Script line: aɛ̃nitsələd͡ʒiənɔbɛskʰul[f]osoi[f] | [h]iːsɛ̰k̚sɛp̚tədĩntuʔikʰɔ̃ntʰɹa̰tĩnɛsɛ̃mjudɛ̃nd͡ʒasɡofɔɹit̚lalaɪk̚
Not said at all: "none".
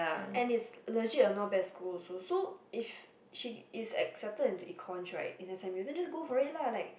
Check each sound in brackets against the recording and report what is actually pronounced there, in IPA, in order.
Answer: s, f, ʃ

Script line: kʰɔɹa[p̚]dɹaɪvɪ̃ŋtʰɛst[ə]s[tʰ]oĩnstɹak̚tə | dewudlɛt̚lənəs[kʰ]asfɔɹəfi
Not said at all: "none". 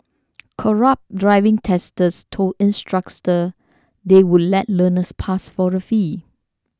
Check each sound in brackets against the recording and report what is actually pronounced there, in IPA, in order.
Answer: p̚, ə, tʰ, pʰ

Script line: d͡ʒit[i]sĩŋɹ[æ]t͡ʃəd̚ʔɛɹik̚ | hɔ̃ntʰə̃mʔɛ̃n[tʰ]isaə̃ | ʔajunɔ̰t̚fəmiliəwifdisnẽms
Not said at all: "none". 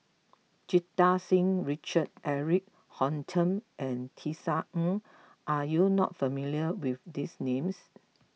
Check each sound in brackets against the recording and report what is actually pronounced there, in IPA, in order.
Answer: a, i, tʰ

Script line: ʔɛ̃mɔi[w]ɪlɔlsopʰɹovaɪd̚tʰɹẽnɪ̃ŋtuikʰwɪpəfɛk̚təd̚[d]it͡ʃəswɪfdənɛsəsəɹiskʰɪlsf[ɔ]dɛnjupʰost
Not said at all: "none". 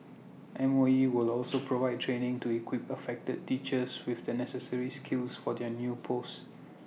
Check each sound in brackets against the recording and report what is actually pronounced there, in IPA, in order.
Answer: w, t, ɔ

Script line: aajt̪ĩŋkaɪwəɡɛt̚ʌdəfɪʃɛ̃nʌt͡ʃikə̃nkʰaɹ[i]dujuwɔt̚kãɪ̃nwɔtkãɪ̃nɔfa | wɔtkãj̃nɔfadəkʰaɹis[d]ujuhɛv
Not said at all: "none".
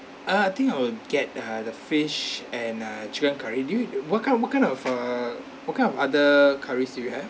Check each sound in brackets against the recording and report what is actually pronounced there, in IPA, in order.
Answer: i, d

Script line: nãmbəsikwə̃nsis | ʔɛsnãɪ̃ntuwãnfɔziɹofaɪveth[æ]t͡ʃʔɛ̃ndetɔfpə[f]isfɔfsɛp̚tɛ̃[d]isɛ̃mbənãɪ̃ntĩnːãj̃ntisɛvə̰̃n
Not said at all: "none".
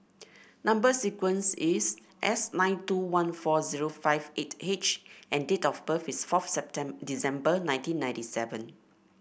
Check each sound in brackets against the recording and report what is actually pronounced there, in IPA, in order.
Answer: e, f, d

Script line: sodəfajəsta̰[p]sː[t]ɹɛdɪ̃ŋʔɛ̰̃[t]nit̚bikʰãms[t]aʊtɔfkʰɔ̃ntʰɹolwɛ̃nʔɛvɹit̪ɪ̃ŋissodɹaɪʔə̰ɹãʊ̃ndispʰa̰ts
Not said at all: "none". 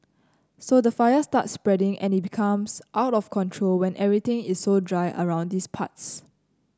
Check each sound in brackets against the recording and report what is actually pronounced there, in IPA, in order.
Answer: t, p, none, ʔ

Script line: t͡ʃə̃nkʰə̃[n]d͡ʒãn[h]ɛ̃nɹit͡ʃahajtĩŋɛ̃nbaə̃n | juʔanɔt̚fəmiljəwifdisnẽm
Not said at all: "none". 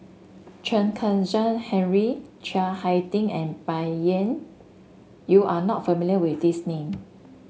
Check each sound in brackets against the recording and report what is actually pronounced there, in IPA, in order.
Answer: n, h

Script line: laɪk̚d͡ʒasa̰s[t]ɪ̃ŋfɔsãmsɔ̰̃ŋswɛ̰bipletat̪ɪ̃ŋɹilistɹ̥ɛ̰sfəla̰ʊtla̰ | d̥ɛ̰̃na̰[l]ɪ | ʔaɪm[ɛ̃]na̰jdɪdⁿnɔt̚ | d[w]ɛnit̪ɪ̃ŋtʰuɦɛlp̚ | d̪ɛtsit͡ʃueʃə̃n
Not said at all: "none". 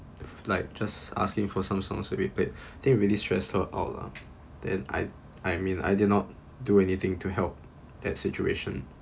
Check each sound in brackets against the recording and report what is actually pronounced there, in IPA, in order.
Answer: k, none, ĩ, u

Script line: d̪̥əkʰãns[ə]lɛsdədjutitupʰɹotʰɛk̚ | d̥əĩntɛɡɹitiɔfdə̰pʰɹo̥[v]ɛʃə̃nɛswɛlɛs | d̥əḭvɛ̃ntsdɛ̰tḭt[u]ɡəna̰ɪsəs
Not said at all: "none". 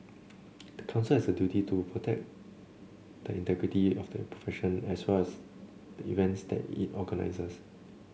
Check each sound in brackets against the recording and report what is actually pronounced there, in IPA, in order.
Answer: ə, f, ɔ

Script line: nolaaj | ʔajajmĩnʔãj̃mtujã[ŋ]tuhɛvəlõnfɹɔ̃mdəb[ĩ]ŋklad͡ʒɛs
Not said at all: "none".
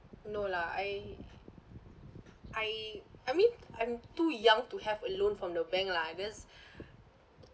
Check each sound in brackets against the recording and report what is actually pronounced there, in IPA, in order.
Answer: ŋ, ɛ̃

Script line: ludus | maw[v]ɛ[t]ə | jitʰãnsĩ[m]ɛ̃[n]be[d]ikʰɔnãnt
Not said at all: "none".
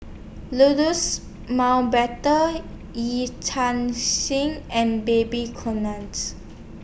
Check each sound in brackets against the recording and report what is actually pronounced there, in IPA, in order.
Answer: b, t, ŋ, n, b

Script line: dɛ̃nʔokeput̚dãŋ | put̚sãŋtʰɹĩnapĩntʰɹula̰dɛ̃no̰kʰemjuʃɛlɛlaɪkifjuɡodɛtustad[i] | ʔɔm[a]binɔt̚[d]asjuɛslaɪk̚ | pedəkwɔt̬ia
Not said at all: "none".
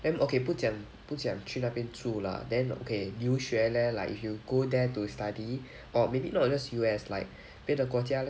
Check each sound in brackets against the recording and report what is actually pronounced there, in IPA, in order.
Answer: i, e, d͡ʒ

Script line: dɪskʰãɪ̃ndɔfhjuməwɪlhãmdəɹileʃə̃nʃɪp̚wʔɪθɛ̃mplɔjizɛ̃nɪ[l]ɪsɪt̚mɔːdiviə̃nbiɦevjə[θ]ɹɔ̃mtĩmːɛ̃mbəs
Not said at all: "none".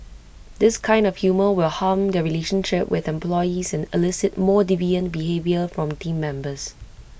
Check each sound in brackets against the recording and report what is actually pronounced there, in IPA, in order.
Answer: l, f

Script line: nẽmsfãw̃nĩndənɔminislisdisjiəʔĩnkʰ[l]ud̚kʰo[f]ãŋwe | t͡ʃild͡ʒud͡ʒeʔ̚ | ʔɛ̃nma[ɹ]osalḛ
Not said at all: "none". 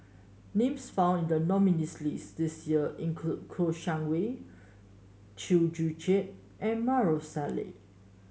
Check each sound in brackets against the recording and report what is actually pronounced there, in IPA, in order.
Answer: l, ʃ, ɹ

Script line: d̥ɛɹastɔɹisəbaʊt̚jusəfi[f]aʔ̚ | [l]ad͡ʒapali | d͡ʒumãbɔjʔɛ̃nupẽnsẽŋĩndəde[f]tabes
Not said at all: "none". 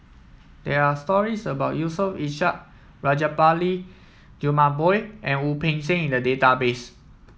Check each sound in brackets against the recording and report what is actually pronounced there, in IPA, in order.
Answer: ʃ, ɹ, none

